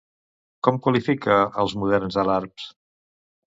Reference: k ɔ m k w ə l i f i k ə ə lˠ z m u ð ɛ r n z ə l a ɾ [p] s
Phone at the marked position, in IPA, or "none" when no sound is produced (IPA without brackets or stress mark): p